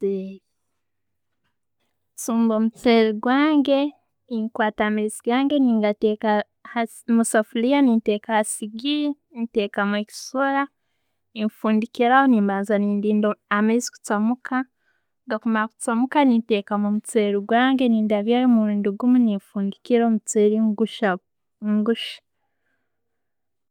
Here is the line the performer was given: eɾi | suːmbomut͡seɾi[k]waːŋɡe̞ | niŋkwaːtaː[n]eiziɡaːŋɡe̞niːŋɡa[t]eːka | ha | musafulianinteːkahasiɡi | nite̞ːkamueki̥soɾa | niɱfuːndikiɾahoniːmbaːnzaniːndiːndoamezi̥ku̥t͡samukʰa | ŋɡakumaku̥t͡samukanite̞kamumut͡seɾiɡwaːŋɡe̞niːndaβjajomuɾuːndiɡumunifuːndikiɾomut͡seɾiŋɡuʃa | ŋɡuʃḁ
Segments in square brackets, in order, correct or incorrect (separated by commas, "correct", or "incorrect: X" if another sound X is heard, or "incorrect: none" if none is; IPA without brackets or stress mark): incorrect: ɡ, incorrect: m, correct